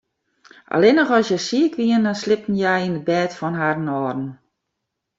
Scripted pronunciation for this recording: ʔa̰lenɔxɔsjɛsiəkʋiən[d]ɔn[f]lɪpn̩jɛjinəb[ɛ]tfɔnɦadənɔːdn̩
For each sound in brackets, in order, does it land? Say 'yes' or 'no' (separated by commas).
yes, no, no